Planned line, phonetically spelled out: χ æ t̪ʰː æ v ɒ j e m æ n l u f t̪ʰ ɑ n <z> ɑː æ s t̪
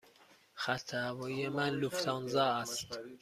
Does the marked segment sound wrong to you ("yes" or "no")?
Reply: no